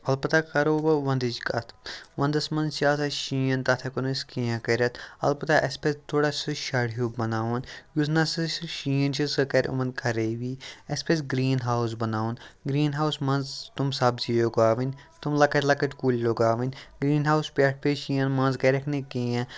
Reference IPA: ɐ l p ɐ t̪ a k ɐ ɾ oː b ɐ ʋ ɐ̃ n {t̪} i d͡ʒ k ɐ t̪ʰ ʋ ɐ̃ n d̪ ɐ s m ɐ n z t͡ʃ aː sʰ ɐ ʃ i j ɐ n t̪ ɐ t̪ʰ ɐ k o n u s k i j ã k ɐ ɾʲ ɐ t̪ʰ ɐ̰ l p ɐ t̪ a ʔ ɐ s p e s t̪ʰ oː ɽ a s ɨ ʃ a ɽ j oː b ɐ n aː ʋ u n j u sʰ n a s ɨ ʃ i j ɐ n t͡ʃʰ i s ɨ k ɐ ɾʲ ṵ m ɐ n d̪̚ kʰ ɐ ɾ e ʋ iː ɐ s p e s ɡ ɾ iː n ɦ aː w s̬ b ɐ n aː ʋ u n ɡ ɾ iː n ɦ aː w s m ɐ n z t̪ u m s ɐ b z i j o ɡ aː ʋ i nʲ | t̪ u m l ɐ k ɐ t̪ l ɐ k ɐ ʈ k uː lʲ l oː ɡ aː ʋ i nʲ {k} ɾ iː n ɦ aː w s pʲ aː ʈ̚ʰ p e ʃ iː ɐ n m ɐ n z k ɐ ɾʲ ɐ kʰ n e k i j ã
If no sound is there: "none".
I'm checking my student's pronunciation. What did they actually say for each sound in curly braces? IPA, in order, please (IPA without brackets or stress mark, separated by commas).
d̪, ɡ